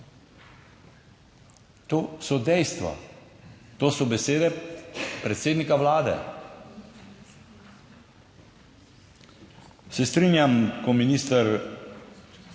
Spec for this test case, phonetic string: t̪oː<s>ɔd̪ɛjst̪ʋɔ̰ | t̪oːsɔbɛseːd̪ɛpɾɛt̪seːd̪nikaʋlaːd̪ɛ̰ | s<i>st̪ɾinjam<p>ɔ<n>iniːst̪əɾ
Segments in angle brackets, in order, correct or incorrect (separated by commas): correct, incorrect, incorrect, incorrect